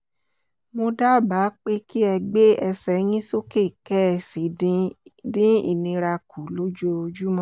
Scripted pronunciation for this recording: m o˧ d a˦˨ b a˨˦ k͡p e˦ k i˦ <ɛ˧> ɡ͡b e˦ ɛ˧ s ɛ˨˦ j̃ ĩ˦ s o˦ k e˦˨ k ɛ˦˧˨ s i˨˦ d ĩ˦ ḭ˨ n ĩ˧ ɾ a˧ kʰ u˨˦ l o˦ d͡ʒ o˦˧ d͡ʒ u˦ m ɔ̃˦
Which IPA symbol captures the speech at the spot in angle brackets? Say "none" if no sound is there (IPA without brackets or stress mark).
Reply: ɛ˧